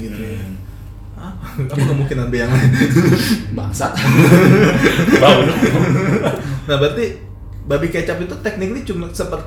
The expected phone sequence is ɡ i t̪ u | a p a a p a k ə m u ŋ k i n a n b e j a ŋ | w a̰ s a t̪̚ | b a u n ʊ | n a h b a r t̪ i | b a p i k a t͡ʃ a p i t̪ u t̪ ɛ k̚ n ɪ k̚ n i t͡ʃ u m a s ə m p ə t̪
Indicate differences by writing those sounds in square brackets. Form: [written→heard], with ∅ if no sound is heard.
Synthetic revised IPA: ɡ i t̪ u | a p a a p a k ə m u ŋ k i n a n b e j a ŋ | [w→b] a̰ s a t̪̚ | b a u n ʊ | n a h b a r t̪ i | b a [p→b] i k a t͡ʃ a p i t̪ u t̪ ɛ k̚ n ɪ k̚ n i t͡ʃ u m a s ə m p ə t̪